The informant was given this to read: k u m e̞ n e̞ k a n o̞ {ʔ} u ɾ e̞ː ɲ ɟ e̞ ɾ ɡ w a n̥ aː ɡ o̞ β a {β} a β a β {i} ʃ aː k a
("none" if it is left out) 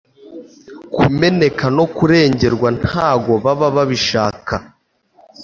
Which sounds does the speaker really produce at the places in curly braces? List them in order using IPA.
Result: k, β, i

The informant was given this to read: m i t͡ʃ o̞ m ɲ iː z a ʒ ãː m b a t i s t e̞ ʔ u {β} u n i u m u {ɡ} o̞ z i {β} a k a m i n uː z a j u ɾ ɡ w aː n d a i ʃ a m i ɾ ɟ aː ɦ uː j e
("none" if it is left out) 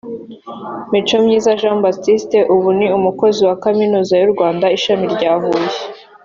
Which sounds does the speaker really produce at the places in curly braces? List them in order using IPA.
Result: β, k, w

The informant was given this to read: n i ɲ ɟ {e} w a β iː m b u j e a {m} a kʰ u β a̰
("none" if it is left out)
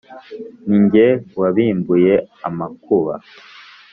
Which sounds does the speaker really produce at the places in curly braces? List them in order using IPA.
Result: e, m

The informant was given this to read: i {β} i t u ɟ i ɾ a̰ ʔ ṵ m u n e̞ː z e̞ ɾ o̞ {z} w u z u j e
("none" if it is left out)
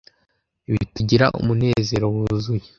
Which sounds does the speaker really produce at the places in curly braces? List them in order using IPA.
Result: β, none

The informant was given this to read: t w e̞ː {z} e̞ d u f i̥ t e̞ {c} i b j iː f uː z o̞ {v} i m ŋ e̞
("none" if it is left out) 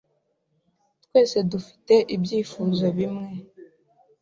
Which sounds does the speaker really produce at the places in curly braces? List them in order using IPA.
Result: s, ʔ, β

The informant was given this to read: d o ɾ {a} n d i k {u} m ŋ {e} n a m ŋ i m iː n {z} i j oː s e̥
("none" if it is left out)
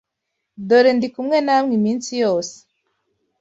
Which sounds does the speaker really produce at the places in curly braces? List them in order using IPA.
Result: e, u, e, s

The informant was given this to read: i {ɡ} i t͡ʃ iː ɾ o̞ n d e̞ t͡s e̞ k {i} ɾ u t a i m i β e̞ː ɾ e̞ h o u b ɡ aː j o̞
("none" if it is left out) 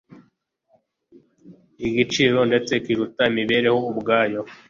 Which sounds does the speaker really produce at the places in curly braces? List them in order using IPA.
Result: ɡ, i

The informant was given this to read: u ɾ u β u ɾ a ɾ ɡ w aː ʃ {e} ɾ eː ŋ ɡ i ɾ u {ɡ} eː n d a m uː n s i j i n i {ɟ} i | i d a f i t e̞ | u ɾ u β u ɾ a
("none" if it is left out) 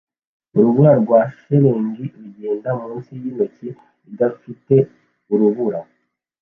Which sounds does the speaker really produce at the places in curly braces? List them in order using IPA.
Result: e, ɟ, c

